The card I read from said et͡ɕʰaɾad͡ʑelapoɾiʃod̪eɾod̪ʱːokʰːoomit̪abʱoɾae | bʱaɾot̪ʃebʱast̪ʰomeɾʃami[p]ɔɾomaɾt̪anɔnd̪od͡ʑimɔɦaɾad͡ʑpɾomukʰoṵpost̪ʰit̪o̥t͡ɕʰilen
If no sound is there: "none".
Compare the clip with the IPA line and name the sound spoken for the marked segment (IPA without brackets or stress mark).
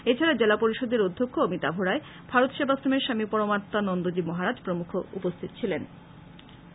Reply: p